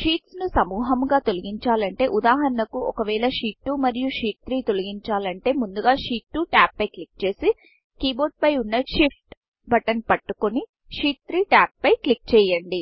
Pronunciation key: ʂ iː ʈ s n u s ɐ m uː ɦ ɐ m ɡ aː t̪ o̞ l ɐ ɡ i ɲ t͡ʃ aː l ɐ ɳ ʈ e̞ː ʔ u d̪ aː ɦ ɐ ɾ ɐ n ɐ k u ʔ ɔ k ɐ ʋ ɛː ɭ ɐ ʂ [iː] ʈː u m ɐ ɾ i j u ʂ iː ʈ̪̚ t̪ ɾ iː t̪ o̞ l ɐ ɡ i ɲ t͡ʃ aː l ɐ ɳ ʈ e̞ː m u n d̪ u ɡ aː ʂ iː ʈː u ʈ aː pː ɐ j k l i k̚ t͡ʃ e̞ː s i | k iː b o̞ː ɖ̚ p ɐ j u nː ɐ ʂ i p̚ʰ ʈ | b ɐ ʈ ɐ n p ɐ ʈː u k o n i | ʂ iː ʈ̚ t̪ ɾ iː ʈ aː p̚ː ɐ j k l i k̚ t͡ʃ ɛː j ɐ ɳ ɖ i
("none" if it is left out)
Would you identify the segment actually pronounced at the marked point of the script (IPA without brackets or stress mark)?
iː